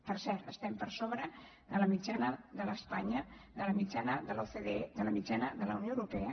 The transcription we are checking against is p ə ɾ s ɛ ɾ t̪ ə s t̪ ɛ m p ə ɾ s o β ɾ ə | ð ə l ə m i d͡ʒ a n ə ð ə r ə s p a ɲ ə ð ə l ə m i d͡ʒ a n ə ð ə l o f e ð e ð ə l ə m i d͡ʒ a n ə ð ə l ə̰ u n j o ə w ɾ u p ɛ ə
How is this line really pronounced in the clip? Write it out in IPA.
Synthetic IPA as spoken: p ə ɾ s ɛ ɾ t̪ ə s t̪ ɛ m p ə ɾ s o β ɾ ə | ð ə l ə m i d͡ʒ a n ə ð ə l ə s p a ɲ ə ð ə l ə m i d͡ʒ a n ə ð ə l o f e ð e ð ə l ə m i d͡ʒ a n ə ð ə l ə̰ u n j o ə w ɾ u p ɛ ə